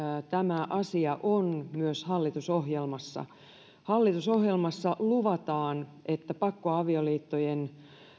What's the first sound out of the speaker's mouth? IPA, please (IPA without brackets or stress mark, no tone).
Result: t̪